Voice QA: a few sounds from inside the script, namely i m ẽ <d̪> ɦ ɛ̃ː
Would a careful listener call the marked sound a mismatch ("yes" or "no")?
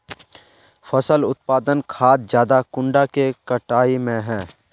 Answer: yes